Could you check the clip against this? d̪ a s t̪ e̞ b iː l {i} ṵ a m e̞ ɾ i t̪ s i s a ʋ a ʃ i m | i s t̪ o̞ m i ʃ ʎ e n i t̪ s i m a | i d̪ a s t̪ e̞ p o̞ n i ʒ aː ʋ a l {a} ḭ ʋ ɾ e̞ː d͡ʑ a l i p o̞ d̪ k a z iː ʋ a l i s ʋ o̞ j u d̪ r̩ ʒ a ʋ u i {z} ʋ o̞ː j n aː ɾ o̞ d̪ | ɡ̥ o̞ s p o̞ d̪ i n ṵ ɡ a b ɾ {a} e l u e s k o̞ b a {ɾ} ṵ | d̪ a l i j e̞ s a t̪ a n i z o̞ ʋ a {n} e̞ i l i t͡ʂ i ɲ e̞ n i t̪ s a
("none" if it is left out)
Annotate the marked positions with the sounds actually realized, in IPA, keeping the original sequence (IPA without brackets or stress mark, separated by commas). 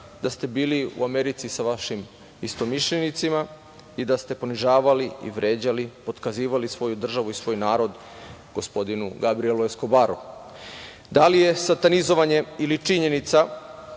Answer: i, i, s, i, ɾ, ɲ